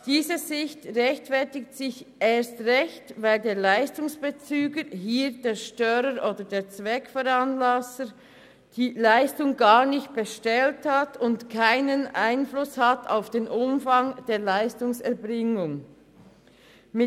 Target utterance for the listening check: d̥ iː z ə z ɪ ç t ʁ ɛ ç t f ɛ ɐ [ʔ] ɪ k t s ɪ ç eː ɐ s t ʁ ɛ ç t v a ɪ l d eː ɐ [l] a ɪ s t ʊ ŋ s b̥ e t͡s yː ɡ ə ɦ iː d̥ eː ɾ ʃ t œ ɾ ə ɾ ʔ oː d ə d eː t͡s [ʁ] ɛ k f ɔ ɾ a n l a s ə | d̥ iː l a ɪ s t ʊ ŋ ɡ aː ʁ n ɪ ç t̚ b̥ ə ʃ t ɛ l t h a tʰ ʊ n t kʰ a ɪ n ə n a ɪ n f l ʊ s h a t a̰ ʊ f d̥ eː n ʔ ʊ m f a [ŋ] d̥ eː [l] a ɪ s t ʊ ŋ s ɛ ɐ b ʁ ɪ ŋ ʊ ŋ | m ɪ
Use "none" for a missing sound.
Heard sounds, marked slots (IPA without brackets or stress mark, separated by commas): t, l, v, ŋ, l